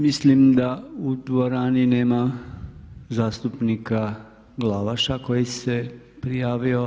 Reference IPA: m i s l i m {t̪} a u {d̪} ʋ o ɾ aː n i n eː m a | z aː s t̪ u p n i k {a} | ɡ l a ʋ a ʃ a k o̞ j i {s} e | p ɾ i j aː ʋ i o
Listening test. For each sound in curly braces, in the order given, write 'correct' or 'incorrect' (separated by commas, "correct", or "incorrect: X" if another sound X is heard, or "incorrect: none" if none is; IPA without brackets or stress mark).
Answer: incorrect: d̪, correct, correct, correct